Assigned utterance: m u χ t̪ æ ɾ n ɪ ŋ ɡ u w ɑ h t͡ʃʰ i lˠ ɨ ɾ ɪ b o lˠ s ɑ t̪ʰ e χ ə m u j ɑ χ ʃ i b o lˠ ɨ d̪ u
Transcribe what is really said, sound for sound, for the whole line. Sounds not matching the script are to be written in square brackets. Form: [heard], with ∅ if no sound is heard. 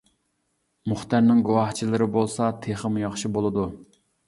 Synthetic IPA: m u χ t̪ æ ɾ n ɪ ŋ ɡ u w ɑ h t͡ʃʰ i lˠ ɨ ɾ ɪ b o lˠ s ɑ t̪ʰ e χ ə m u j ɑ χ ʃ i b o lˠ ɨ d̪ u